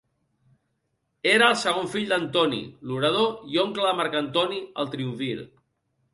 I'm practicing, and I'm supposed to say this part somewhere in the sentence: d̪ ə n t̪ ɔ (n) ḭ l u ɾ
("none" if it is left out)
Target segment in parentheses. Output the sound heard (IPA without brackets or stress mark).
n